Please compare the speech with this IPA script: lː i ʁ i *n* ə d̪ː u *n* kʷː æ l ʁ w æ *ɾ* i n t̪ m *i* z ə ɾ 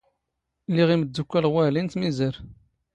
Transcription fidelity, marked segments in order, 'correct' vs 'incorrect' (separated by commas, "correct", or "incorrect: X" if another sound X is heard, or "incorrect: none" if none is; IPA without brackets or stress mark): incorrect: m, incorrect: none, incorrect: l, correct